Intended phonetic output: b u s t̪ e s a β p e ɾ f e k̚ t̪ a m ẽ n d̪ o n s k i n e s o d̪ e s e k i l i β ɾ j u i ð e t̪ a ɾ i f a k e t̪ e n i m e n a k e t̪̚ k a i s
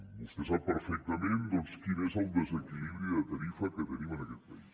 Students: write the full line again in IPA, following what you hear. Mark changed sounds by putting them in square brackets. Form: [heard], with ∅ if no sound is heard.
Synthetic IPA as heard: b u s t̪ e s a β p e ɾ f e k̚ t̪ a m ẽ n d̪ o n s k i n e s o d̪ e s e k i l i β ɾ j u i ð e t̪ a ɾ i f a k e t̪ e n i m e n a k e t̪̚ [p] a i s